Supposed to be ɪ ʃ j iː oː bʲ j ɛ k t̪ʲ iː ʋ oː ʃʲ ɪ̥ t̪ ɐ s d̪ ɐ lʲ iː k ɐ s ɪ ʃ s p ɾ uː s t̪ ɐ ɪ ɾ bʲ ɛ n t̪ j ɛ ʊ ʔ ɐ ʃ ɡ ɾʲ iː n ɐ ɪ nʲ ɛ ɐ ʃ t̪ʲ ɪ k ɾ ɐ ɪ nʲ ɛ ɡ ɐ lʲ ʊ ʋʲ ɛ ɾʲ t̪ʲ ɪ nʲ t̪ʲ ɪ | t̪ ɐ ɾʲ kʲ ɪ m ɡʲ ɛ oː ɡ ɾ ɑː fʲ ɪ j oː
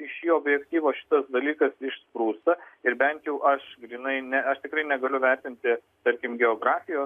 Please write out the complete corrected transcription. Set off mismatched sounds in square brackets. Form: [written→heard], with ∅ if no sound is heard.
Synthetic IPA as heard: ɪ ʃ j iː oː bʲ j ɛ k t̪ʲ iː ʋ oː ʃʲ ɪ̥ t̪ ɐ s d̪ ɐ lʲ iː k ɐ s ɪ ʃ s p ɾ uː s t̪ ɐ ɪ ɾ bʲ ɛ n t̪ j ɛ ʊ ʔ ɐ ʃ ɡ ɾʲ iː n ɐ ɪ nʲ ɛ ɐ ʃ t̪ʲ ɪ k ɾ ɐ ɪ nʲ ɛ ɡ ɐ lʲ ʊ ʋʲ ɛ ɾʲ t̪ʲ ɪ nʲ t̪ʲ ɪ | t̪ ɐ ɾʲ kʲ ɪ m ɡʲ ɛ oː ɡ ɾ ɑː fʲ ɪ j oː